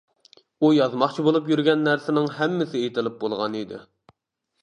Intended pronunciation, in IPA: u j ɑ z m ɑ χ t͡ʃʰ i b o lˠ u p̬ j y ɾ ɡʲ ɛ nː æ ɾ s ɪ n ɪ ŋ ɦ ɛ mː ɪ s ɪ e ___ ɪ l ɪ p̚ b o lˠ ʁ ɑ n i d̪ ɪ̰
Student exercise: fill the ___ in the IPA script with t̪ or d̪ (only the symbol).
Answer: t̪